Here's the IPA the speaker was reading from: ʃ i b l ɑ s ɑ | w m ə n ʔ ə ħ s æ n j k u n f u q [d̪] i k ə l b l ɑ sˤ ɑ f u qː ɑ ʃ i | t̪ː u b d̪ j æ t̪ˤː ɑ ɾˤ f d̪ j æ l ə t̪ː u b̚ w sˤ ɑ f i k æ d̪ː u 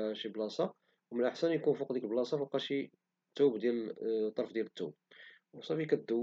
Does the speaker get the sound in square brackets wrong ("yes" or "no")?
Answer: no